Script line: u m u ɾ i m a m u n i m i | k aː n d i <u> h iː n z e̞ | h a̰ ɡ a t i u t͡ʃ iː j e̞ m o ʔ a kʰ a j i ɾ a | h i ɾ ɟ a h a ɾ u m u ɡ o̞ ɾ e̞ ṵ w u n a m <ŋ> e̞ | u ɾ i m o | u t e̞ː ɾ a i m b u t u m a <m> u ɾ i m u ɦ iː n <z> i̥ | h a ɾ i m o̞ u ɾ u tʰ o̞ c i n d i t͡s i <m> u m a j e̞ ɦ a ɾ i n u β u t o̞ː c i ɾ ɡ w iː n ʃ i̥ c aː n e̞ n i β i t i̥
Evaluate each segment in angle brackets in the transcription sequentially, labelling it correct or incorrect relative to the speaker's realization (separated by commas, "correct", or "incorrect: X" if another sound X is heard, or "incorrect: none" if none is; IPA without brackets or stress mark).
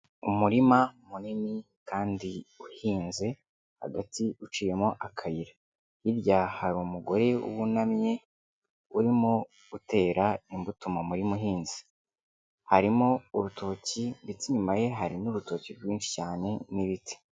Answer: correct, incorrect: ɲ, correct, correct, incorrect: ɲ